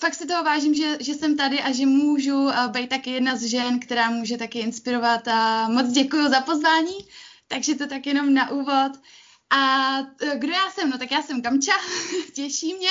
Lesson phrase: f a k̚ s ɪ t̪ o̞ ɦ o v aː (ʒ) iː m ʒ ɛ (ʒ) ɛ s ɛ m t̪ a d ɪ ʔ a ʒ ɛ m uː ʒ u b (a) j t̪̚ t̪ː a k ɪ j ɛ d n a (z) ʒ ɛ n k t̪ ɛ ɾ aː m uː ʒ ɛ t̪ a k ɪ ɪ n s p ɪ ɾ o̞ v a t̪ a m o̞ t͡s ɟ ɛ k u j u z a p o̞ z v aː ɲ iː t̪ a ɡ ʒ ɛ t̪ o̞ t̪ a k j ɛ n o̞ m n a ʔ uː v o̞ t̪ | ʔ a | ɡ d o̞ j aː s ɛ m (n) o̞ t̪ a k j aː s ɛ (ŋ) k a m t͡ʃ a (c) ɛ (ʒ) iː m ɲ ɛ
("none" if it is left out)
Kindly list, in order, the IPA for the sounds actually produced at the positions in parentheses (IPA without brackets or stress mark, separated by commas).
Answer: ʒ, ʒ, ɛ, z, n, m, c, ʃ